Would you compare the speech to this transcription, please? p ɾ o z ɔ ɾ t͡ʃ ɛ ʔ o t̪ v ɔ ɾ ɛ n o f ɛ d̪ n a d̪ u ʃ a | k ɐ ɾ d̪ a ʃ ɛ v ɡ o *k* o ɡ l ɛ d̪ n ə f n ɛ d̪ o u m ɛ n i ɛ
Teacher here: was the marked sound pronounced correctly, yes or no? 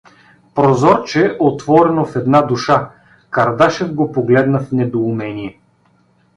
no